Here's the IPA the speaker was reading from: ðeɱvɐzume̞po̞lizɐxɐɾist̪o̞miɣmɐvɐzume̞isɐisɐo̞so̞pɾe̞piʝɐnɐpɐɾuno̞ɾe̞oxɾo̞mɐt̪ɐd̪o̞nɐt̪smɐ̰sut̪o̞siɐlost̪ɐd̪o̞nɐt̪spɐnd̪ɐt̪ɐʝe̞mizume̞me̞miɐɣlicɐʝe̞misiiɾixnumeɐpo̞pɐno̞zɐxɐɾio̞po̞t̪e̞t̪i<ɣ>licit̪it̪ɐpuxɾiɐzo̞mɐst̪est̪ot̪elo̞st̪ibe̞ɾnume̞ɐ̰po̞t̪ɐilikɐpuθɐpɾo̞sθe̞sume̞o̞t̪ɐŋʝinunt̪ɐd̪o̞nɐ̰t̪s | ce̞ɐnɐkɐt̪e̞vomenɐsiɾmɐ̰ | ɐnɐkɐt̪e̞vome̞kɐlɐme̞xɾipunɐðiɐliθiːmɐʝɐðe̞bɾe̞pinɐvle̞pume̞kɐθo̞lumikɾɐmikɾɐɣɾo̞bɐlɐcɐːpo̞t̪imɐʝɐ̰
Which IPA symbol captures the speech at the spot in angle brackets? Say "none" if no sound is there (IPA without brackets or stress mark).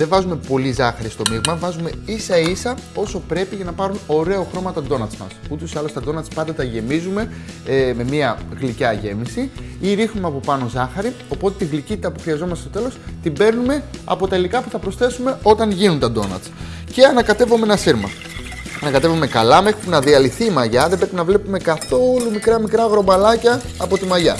ɣ